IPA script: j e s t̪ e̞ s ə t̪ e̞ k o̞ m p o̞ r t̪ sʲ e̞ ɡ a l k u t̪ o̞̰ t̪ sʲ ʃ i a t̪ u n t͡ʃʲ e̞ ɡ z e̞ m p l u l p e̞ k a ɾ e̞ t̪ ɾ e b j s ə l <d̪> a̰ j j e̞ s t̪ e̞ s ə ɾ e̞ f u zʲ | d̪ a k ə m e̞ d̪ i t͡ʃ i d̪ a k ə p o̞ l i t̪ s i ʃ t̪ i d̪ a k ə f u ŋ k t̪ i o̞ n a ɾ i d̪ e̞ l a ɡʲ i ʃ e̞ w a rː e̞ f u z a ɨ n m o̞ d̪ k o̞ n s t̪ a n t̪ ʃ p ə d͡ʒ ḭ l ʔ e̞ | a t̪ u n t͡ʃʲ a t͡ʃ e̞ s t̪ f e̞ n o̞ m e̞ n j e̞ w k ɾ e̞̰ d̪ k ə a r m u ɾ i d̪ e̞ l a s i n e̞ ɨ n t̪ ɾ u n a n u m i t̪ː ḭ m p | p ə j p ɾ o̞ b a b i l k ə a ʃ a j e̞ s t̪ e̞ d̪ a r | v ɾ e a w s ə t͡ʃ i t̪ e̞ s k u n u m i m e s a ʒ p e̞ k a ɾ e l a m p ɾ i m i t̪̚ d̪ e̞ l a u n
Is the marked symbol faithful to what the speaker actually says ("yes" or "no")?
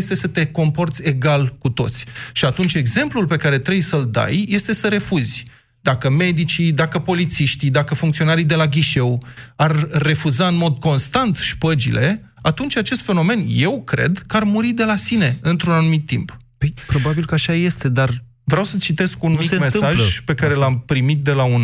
yes